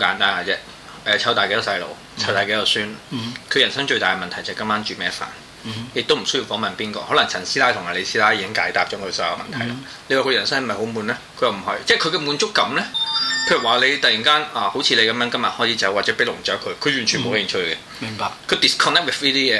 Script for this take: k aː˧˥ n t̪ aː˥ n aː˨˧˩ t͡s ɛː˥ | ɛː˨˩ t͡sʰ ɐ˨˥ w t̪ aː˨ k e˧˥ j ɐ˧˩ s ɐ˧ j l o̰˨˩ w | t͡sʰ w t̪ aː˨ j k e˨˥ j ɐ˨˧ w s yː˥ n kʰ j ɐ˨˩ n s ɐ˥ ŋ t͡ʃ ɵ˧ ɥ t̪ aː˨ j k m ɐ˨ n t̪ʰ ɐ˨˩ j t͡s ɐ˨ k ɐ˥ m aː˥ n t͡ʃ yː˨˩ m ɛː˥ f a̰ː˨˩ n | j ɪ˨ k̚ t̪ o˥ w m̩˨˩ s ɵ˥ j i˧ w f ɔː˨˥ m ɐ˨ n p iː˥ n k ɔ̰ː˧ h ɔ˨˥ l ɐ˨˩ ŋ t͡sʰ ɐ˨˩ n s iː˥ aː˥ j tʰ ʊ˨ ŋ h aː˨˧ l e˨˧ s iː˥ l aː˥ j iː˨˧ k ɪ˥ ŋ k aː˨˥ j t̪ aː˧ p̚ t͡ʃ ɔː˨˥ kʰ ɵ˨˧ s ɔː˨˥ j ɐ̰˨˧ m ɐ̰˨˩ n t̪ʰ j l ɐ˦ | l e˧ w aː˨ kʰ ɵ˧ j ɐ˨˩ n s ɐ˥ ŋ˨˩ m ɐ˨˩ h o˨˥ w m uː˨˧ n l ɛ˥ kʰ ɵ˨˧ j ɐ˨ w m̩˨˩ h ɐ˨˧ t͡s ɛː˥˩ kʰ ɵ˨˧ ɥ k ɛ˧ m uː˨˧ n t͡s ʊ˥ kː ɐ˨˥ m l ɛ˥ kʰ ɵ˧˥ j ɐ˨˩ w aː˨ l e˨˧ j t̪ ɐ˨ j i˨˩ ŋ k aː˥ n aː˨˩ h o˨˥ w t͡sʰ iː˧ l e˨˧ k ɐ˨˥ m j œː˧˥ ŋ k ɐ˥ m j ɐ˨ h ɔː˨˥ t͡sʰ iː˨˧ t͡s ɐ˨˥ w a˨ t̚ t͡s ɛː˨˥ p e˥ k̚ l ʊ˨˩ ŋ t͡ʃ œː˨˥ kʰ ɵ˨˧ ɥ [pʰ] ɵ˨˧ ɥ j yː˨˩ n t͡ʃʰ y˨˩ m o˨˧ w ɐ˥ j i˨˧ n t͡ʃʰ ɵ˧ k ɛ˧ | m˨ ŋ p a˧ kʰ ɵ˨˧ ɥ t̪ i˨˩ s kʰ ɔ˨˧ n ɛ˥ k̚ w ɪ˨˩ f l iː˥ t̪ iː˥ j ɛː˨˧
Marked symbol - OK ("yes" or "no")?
no